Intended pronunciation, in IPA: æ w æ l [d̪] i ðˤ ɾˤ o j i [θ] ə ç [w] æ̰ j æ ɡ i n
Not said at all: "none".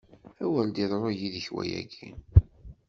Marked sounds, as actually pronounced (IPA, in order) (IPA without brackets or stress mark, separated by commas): d̪, ð, w